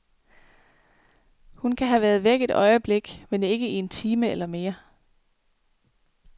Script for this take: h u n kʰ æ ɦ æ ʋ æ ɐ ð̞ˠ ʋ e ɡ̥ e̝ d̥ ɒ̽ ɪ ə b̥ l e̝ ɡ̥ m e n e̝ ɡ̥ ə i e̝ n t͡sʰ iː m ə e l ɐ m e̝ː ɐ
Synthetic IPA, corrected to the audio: h u n kʰ æ ɦ æ ʋ æ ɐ ð̞ˠ ʋ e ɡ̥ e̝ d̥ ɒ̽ ɪ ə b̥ l e̝ ɡ̥ m e n e̝ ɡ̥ ə i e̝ n t͡sʰ iː m ə e l ɐ m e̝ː ɐ